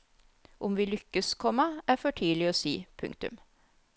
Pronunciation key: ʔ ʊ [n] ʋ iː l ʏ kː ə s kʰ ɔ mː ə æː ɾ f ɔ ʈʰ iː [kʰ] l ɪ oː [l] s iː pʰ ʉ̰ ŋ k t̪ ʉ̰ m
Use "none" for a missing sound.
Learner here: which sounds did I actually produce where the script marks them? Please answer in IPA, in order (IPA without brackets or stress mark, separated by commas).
m, none, none